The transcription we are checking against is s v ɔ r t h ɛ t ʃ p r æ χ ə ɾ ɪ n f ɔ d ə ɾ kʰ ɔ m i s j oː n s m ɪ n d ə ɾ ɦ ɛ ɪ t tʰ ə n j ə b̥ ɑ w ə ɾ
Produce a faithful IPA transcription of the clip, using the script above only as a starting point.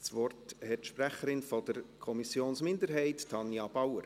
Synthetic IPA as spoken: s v ɔ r t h ɛ t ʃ p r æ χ ə ɾ ɪ n f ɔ d ə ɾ kʰ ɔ m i s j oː n s m ɪ n d ə ɾ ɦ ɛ ɪ t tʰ ɑ n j ɑ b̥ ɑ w ə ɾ